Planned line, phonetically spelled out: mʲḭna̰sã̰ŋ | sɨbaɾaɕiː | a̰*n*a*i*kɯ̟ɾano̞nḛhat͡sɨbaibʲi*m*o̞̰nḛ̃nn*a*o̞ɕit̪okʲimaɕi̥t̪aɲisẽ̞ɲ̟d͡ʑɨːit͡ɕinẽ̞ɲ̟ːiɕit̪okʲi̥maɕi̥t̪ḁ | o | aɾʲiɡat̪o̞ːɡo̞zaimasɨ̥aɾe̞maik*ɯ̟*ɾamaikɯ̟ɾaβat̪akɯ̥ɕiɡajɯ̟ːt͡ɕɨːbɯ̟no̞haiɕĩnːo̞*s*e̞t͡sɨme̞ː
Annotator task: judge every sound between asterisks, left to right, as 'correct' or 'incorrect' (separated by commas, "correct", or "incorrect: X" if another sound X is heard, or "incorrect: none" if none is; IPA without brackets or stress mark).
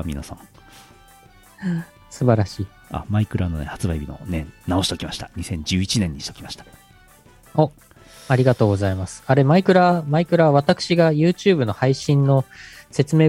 incorrect: m, correct, incorrect: n, correct, correct, correct